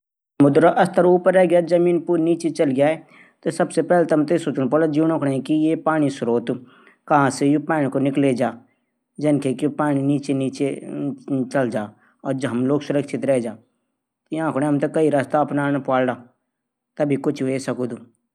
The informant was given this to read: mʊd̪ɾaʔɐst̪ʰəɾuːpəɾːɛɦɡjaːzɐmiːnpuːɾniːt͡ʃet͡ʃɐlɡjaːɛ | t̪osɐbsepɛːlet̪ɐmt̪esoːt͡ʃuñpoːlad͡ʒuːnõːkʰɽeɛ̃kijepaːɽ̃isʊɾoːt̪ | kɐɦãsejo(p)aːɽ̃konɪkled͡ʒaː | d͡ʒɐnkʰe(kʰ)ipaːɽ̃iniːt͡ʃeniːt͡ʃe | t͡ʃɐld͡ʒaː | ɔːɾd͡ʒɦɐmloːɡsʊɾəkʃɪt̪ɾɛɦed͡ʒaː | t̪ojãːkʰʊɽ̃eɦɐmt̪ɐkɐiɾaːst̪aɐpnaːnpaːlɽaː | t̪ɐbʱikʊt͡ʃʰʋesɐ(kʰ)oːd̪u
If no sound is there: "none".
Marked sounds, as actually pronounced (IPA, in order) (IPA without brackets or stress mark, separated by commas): p, k, k